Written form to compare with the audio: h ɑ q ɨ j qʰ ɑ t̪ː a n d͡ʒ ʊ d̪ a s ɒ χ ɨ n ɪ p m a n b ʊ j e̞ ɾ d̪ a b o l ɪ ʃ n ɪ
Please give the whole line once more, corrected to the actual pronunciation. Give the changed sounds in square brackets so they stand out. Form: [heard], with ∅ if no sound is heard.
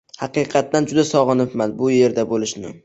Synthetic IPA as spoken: h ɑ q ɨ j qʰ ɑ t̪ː a n d͡ʒ ʊ d̪ a s ɒ [ʁ] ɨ n ɪ p m a n b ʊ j e̞ ɾ d̪ a b o l ɪ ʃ n ɪ

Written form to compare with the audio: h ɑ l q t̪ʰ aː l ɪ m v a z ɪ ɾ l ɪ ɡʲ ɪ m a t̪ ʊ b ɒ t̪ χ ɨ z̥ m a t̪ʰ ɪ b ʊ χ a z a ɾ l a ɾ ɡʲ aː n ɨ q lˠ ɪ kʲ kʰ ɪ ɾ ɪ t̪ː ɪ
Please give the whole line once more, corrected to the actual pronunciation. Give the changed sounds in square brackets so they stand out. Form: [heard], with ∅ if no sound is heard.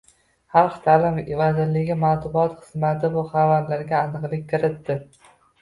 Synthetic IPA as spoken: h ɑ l q t̪ʰ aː l ɪ m v a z ɪ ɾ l ɪ ɡʲ ɪ m a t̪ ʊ b ɒ t̪ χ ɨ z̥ m a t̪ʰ ɪ b ʊ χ a [v] a ɾ l a ɾ ɡʲ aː n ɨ q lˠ ɪ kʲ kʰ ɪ ɾ ɪ t̪ː ɪ

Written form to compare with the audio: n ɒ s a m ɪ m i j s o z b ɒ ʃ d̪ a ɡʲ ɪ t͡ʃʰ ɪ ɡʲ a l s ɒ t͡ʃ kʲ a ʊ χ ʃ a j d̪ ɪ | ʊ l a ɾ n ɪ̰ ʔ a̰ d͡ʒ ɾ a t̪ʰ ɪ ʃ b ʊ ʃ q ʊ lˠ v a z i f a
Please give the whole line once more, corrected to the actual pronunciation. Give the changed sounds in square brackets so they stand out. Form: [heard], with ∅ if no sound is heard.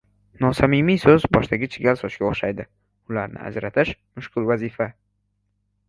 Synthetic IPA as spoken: n ɒ s a m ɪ m i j s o z b ɒ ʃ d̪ a ɡʲ ɪ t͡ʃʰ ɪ ɡʲ a l s ɒ t͡ʃ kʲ a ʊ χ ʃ a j d̪ ɪ | ʊ l a ɾ n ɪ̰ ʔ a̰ d͡ʒ ɾ a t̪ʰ ɪ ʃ [m] ʊ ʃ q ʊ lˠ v a z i f a

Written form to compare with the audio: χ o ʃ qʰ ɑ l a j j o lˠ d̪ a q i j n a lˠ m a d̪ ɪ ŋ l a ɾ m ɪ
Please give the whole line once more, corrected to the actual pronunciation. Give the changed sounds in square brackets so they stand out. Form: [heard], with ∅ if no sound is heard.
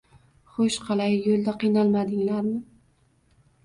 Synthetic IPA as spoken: χ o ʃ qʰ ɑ l a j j o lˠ d̪ a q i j n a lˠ m a d̪ ɪ ŋ l a ɾ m ɪ

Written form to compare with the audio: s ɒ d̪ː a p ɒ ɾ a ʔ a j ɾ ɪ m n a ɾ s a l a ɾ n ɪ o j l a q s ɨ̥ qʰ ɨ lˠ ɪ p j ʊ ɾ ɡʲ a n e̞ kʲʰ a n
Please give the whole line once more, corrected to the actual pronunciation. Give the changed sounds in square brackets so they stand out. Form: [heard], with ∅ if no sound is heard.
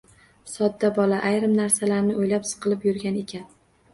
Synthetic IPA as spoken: s ɒ d̪ː a [b] ɒ [l] a ʔ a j ɾ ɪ m n a ɾ s a l a ɾ n ɪ o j l a [p] s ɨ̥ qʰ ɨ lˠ ɪ p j ʊ ɾ ɡʲ a n e̞ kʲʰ a n

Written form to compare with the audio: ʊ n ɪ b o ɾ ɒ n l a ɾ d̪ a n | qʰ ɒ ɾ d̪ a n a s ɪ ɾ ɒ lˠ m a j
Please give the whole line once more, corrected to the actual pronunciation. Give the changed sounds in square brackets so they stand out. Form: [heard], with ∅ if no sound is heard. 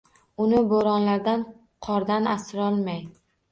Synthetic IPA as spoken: ʊ n ɪ b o ɾ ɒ n l a ɾ d̪ a n | qʰ ɒ ɾ d̪ a n a s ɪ ɾ ɒ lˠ m a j

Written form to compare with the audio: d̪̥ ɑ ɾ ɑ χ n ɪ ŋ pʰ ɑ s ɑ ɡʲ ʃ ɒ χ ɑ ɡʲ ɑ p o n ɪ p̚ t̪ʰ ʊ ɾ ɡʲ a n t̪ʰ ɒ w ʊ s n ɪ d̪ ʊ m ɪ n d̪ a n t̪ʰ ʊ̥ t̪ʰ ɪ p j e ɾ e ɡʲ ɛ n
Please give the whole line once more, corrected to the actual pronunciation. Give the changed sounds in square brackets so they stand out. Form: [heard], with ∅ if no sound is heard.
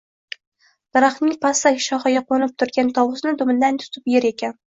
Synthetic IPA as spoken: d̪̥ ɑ ɾ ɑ χ n ɪ ŋ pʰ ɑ s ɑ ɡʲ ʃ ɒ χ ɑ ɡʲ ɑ [q] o n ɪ p̚ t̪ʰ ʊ ɾ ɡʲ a n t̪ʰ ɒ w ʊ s n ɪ d̪ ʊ m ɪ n d̪ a n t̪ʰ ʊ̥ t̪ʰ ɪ p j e ɾ e [kʲ] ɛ n

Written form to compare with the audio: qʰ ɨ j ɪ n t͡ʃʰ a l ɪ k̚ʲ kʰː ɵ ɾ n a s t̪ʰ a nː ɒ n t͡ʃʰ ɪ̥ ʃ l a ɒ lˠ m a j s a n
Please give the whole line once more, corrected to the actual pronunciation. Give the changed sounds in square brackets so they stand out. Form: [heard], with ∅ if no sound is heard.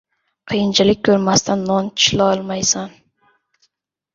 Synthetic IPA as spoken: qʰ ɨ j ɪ n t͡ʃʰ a l ɪ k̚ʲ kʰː ɵ ɾ [m] a s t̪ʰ a nː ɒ n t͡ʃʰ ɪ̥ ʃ l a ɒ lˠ m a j s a n

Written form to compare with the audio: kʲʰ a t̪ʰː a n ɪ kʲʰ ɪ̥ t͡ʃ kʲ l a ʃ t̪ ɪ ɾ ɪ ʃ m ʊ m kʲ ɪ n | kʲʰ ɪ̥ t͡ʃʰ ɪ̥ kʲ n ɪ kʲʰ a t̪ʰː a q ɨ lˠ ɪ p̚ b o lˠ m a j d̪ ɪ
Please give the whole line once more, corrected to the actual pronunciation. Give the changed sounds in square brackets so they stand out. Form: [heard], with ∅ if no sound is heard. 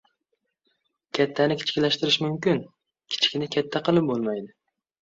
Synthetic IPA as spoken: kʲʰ a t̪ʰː a n ɪ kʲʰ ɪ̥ t͡ʃ kʲ l a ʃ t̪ ɪ ɾ ɪ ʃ m ʊ m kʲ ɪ n | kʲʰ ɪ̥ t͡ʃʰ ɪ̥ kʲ n ɪ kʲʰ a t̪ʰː a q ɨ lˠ ɪ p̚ b o lˠ m a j d̪ ɪ

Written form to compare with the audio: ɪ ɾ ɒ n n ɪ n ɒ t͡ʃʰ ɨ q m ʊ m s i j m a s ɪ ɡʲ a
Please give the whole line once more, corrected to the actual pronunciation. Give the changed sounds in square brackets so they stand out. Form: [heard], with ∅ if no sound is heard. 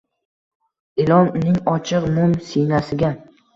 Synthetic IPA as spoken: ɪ [l] ɒ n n ɪ [ŋ] ɒ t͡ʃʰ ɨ q m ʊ m s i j [n] a s ɪ ɡʲ a

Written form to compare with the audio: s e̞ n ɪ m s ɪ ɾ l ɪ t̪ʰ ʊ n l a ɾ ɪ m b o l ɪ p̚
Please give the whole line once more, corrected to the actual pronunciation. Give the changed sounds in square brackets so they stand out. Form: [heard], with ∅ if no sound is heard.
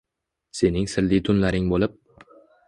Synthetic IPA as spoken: s e̞ n ɪ [ŋ] s ɪ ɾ l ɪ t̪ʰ ʊ n l a ɾ ɪ [ŋ] b o l ɪ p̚

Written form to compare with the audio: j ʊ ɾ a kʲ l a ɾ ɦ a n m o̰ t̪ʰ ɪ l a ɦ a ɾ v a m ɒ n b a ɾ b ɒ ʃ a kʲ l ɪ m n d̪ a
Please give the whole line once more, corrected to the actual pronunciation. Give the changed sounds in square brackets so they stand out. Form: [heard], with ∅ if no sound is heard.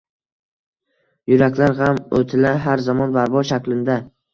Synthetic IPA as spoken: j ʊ ɾ a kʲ l a ɾ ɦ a [∅] m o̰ t̪ʰ ɪ l a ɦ a ɾ [z] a m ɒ n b a ɾ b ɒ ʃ a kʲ l ɪ [∅] n d̪ a

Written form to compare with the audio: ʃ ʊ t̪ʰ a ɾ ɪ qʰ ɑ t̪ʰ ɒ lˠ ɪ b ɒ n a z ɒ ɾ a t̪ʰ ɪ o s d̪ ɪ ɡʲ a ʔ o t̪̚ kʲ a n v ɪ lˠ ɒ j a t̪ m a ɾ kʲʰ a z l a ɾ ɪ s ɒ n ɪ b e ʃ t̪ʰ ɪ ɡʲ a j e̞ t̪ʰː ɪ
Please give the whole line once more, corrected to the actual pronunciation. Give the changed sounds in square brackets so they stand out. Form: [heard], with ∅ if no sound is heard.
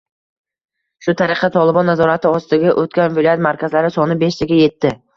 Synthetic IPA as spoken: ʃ ʊ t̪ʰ a ɾ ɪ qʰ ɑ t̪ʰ ɒ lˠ ɪ b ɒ [nː] a z ɒ ɾ a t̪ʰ ɪ [ɒ] s [t̪] ɪ ɡʲ a ʔ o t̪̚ kʲ a n v ɪ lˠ ɒ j a t̪ m a ɾ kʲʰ a z l a ɾ ɪ s ɒ n ɪ b e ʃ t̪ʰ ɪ ɡʲ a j e̞ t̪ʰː ɪ

